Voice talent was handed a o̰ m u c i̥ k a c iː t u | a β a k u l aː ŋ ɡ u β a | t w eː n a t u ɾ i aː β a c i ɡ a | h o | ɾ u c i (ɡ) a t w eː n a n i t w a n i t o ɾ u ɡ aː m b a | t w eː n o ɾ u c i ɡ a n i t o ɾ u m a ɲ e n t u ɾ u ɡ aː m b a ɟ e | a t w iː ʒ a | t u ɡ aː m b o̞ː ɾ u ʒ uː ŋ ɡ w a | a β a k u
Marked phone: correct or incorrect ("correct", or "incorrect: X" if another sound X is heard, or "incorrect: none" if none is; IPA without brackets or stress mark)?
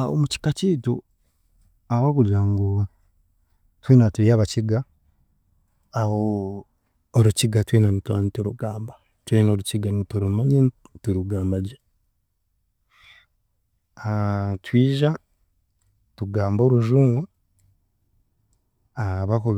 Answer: correct